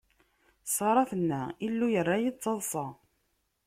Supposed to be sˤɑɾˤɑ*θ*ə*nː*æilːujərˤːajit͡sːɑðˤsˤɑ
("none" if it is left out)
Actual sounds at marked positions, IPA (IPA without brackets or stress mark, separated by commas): θ, nː